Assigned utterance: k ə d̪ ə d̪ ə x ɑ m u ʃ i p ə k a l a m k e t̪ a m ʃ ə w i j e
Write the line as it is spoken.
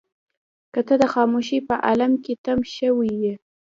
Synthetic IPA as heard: k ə t̪ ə d̪ ə x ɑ m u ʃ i p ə ʔ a l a m k e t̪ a m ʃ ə w i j e